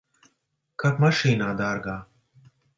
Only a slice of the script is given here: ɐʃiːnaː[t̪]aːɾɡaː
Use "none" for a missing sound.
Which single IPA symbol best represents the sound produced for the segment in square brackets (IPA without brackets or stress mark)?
d̪